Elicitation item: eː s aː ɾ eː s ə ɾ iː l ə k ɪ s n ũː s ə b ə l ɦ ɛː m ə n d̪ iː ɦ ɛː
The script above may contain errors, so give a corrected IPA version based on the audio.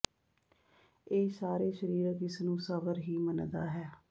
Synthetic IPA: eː s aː ɾ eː ʃ ə ɾ iː ɾ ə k ɪ s n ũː s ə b ə ɾ ɦ iː m ə n d̪ aː ɦ ɛː